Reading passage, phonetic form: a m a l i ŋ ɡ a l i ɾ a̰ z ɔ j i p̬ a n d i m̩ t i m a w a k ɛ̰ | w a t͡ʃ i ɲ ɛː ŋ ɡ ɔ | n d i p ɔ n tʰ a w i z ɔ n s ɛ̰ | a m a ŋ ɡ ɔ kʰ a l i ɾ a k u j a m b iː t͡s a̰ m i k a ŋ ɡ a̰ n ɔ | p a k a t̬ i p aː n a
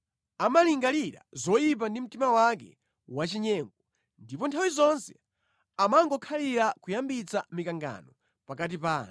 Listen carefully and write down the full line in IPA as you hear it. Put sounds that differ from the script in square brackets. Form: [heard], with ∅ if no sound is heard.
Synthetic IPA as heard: a m a l i ŋ ɡ a l i ɾ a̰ z ɔ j i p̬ a n d i m̩ t i m a w a k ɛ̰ | w a t͡ʃ i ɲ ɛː ŋ ɡ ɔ | n d i p ɔ n tʰ a w i z ɔ n s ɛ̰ | a m a ŋ ɡ ɔ kʰ a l i ɾ a k u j a m b [i] t͡s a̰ m i k a ŋ ɡ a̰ n ɔ | p a k a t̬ i p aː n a